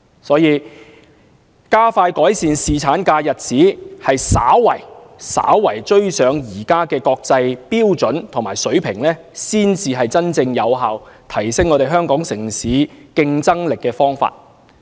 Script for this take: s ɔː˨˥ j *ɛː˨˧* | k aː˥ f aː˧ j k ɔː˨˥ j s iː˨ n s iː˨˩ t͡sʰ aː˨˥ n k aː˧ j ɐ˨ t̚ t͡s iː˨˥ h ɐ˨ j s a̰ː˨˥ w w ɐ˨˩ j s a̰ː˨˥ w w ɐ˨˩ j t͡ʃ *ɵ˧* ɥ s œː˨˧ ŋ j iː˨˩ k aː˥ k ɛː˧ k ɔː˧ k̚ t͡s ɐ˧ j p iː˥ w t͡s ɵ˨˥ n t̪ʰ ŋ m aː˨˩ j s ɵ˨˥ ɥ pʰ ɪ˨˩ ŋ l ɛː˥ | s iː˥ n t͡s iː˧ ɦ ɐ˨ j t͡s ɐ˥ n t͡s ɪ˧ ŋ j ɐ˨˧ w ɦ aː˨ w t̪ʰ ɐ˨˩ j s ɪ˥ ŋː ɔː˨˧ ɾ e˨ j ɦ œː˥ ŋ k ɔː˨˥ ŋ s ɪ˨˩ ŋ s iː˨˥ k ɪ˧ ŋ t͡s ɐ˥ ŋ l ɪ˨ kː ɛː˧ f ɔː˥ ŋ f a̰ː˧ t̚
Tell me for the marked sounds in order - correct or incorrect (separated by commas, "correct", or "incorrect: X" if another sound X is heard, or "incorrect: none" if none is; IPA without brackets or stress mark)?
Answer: incorrect: iː˨˧, incorrect: ɵ˥